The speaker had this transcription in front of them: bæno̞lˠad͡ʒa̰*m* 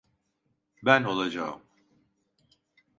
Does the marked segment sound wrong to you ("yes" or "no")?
no